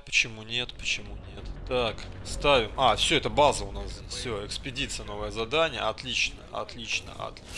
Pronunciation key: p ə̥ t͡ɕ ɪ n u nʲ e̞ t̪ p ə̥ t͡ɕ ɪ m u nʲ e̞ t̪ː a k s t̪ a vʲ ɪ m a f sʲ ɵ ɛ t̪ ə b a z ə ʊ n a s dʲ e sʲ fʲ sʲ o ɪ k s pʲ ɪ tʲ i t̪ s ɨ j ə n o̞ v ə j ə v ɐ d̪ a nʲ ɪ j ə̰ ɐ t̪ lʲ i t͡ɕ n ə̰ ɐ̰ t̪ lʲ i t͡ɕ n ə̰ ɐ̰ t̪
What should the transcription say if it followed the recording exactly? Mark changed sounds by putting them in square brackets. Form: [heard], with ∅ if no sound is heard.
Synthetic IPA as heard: p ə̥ t͡ɕ ɪ [m] u nʲ e̞ t̪ p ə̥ t͡ɕ ɪ m u nʲ e̞ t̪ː a k s t̪ a vʲ ɪ m a f sʲ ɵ ɛ t̪ ə b a z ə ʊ n a s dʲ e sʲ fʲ sʲ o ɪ k s pʲ ɪ [dʲ] i t̪ s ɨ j ə n o̞ v ə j ə [z] ɐ d̪ a nʲ ɪ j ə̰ ɐ t̪ lʲ i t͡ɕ n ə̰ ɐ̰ t̪ lʲ i t͡ɕ n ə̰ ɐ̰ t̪